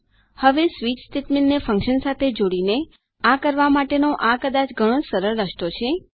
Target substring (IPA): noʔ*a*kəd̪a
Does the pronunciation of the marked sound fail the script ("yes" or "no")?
no